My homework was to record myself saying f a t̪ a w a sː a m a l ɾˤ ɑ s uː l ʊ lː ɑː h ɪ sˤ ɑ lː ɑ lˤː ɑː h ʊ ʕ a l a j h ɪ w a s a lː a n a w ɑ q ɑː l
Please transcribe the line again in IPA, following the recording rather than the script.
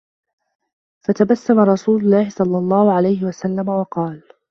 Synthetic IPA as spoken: f a t̪ a b a sː a m a ɾˤ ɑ s uː l ʊ lː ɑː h ɪ sˤ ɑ lː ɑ lˤː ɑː h ʊ ʕ a l a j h ɪ w a s a lː a m a w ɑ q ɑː l